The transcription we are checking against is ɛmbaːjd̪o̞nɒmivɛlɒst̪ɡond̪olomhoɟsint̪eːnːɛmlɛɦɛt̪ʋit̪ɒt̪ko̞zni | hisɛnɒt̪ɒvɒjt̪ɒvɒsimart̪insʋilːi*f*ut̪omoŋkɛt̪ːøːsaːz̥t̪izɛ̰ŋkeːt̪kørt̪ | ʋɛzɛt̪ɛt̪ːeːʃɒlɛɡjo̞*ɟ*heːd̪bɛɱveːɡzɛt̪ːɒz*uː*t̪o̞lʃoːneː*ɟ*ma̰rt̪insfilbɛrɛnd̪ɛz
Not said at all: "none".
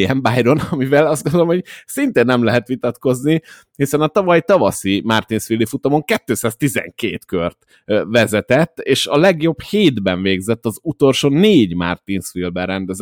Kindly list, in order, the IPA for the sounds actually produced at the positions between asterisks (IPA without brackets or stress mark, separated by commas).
f, b, u, ɟ